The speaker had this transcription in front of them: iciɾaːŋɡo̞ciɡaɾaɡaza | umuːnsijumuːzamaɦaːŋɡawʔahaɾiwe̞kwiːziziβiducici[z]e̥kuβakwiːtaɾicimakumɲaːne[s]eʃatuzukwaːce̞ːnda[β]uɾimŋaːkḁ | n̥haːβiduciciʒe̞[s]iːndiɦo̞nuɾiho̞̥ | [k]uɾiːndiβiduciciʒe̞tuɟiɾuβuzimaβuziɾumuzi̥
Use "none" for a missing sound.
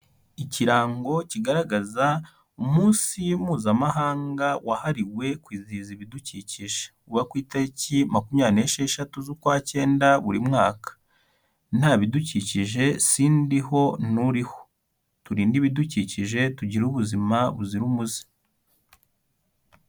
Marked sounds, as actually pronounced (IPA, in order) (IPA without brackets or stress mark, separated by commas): ʒ, ʃ, β, s, t